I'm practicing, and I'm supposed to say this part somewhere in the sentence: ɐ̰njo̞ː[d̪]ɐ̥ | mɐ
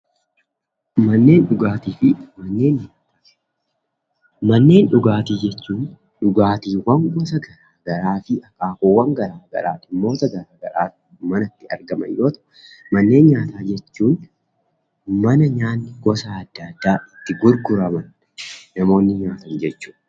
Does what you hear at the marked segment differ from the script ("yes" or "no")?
yes